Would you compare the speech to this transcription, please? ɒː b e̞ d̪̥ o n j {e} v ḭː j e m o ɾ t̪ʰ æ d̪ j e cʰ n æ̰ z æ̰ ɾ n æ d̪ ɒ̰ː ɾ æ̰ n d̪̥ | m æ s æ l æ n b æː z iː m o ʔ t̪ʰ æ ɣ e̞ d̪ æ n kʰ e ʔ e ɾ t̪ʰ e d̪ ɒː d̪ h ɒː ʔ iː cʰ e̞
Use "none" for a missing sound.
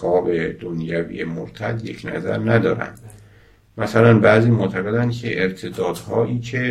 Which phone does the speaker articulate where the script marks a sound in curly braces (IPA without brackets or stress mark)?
æ